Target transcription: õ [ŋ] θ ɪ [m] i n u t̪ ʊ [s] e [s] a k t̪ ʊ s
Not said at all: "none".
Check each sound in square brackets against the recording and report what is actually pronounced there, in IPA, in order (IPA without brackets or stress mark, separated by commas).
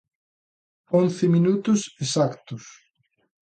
n, m, s, s